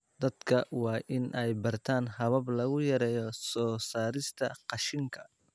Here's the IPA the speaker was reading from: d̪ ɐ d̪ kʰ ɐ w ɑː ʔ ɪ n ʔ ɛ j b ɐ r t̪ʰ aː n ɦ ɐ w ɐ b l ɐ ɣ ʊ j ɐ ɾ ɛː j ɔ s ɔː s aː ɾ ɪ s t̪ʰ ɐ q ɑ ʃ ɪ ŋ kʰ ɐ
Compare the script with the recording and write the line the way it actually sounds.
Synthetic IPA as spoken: d̪ ɐ d̪ kʰ ɐ w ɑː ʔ ɪ n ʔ ɛ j b ɐ r t̪ʰ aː n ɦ ɐ β ɐ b l ɐ ɣ ʊ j ɐ ɾ ɛː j ɔ s ɔː s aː ɾ ɪ s t̪ʰ ɐ q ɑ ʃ ɪ ŋ kʰ ɐ